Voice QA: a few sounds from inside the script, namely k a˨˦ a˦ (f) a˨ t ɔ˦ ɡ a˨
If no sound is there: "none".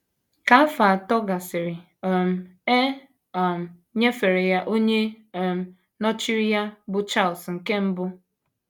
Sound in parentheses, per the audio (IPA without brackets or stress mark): f